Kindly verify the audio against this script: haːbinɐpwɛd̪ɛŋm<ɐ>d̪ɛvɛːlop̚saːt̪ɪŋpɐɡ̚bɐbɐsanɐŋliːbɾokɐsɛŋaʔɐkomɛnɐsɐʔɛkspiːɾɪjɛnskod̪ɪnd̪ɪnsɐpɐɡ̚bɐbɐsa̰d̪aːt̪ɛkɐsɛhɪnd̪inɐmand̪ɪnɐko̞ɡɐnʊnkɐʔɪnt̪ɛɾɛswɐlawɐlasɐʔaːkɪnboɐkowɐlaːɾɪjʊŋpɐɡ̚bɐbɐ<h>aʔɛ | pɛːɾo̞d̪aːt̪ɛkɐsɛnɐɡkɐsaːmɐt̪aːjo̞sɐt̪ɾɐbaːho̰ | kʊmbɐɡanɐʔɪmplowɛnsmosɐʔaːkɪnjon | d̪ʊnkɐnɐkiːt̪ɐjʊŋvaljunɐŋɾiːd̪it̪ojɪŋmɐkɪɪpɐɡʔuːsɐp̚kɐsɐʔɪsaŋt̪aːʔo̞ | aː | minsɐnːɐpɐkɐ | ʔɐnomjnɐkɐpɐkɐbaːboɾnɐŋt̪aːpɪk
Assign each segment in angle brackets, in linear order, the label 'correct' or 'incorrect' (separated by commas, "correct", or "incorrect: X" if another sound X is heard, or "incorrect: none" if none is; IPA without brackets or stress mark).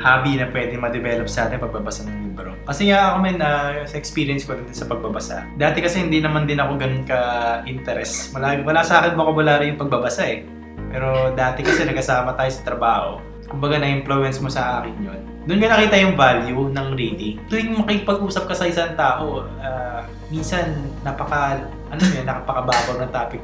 correct, incorrect: s